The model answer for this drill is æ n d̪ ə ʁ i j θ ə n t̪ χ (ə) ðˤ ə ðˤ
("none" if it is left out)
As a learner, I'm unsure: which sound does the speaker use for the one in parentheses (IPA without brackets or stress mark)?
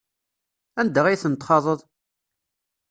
ɑ